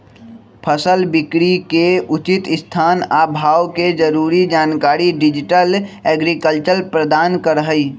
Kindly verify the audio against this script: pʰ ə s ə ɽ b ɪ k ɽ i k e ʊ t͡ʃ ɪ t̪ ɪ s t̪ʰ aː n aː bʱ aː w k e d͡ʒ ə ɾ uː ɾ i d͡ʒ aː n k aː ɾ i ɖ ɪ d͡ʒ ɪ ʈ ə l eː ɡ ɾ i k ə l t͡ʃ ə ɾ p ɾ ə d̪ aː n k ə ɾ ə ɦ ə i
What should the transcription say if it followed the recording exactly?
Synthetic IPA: pʰ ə s ə l b ɪ k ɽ i k e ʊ t͡ʃ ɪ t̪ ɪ s t̪ʰ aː n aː bʱ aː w k e d͡ʒ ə ɾ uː ɾ i d͡ʒ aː n k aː ɾ i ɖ ɪ d͡ʒ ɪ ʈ ə l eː ɡ ɾ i k ə l t͡ʃ ə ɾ p ɾ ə d̪ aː n k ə ɾ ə ɦ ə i